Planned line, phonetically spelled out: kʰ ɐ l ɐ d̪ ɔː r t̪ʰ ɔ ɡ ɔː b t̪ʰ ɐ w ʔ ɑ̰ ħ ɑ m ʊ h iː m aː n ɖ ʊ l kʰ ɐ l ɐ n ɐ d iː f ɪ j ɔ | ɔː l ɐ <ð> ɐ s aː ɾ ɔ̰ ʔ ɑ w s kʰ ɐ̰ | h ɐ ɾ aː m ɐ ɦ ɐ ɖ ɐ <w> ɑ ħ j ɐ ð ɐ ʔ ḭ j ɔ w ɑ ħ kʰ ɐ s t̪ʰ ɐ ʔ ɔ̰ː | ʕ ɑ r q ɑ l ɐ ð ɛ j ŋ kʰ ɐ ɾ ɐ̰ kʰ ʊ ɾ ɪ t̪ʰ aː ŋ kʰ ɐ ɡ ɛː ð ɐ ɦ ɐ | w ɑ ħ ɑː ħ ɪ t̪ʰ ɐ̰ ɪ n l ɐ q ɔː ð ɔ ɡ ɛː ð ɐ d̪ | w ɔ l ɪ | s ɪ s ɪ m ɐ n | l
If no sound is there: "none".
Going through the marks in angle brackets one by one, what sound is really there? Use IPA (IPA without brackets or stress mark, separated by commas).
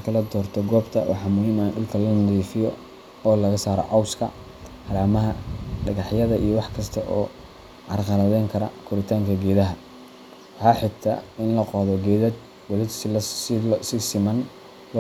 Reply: ɣ, ɣ